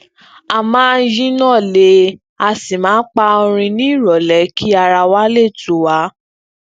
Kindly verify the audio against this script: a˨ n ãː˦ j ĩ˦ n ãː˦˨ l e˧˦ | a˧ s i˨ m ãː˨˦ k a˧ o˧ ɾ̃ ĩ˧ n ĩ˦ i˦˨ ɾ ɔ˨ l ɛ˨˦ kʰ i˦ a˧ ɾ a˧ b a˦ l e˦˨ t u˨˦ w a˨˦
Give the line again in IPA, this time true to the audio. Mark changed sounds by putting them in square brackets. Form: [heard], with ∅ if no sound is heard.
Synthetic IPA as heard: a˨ [m] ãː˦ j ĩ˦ n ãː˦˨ l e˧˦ | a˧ s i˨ m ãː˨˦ [k͡p] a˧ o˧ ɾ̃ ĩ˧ n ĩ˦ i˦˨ ɾ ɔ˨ l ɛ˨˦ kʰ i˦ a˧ ɾ a˧ [w] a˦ l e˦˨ t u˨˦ w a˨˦